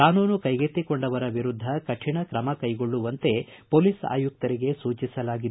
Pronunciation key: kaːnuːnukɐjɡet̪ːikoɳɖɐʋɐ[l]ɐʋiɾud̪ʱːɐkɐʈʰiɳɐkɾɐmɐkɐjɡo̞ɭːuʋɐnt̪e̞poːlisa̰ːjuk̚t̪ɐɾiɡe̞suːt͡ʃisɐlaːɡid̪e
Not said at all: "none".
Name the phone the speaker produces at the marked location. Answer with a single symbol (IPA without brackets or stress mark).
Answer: ɾ